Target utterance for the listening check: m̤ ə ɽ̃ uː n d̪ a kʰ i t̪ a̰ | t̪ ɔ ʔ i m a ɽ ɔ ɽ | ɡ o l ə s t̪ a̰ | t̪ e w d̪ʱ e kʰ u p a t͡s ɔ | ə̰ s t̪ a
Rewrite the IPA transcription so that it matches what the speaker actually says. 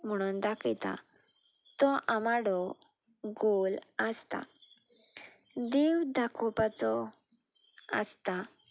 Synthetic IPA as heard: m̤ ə ɽ̃ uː n d̪ a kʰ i t̪ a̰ | t̪ ɔ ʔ a m a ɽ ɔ | ɡ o l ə s t̪ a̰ | d̪ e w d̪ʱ a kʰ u p a t͡s ɔ | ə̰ s t̪ a